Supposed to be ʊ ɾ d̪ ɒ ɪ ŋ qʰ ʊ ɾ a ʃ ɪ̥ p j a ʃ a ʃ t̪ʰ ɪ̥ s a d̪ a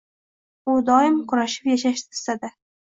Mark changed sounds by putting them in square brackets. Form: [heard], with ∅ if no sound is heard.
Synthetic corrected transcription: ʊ [∅] d̪ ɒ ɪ [m] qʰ ʊ ɾ a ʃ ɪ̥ p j a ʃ a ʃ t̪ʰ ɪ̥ s a d̪ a